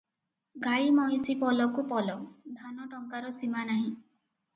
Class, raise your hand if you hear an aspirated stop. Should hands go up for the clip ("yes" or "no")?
no